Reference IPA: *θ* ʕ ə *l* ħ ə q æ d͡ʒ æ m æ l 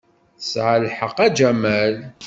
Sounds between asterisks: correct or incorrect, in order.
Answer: incorrect: s, correct

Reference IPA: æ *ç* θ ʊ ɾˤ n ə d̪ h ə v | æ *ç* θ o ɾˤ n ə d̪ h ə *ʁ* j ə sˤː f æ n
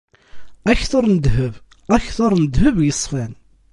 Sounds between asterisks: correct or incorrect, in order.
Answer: correct, correct, incorrect: v

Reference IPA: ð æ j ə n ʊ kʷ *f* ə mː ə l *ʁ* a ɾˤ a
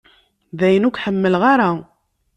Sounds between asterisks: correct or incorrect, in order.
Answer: incorrect: ħ, correct

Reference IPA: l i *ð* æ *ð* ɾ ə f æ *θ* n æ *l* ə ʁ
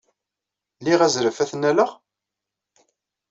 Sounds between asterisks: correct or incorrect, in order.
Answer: incorrect: ʁ, incorrect: z, correct, correct

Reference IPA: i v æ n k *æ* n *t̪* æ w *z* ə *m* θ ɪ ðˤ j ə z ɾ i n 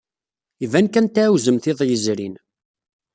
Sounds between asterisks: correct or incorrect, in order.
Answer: correct, correct, correct, correct

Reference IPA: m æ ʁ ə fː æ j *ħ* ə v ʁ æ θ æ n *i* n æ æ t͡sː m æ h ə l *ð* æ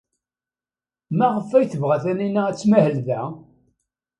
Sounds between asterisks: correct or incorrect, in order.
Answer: incorrect: θ, correct, correct

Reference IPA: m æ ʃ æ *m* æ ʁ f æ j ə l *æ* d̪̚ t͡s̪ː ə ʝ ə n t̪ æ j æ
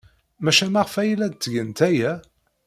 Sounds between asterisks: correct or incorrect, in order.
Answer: correct, correct

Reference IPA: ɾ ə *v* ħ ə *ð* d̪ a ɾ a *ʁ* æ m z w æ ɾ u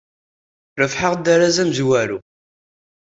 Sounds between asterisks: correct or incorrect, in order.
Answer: incorrect: f, incorrect: ʁ, incorrect: z

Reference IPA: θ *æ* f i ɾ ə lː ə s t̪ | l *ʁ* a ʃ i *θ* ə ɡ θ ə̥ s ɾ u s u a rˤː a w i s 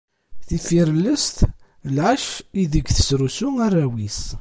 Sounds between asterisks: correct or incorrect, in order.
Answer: incorrect: i, incorrect: ʕ, incorrect: ð

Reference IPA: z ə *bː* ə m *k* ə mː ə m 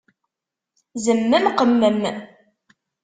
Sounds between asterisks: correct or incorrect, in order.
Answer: incorrect: mː, incorrect: q

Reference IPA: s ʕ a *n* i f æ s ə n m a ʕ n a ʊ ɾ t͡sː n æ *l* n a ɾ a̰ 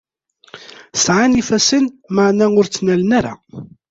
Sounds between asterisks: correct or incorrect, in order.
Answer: correct, correct

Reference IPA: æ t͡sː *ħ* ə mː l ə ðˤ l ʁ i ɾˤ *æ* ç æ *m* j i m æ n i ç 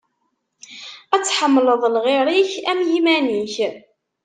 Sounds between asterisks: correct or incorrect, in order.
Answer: correct, incorrect: i, correct

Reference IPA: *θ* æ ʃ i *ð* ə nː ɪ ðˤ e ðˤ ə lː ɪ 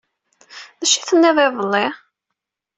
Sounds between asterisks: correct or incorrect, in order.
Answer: incorrect: ð, incorrect: θ

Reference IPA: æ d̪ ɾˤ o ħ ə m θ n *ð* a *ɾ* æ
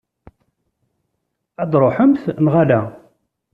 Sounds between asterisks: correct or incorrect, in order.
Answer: incorrect: ʁ, incorrect: l

